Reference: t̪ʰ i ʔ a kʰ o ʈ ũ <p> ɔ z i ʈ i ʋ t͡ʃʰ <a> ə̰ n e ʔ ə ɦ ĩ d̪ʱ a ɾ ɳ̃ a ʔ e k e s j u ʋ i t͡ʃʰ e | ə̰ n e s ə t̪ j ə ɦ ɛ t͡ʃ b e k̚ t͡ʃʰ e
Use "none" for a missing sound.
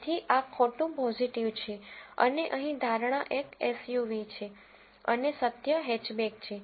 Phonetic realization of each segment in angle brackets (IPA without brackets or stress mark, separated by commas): p, e